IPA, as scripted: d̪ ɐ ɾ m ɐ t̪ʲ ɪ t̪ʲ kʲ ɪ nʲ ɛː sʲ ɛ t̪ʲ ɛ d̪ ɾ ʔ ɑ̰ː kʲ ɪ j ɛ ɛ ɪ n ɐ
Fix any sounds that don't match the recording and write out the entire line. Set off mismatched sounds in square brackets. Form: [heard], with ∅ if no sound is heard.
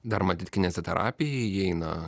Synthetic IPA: d̪ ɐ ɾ m ɐ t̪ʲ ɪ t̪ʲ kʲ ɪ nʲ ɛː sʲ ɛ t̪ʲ ɛ [∅] ɾ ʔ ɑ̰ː [pʲ] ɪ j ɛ ɛ ɪ n ɐ